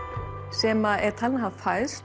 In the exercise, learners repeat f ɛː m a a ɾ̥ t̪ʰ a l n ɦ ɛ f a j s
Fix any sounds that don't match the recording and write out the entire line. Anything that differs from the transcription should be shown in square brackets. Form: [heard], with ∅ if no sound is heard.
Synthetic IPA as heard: [s] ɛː m a [ɛ] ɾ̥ t̪ʰ a l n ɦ [a] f a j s